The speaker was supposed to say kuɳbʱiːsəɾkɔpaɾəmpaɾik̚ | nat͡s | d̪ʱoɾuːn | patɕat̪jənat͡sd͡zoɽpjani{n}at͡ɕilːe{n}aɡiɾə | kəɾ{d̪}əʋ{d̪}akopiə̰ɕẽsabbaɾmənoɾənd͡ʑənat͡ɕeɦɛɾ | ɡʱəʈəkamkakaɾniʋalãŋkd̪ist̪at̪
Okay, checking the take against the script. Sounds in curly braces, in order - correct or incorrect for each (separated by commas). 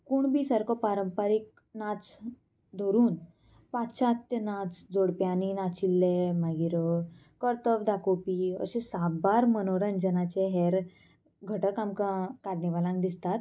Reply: correct, incorrect, incorrect, correct